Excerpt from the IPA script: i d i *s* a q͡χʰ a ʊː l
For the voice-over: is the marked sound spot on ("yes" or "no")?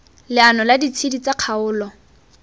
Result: no